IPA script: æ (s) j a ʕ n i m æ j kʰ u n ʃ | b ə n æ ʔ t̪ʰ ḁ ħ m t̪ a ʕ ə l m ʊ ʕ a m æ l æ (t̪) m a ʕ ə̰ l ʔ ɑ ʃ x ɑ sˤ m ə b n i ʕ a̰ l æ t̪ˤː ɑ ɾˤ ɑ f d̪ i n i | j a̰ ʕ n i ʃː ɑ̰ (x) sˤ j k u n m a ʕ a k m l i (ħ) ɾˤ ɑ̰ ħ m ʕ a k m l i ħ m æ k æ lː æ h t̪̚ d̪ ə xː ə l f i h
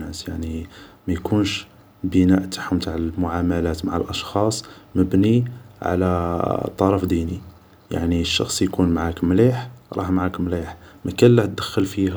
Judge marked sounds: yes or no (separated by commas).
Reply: yes, yes, yes, yes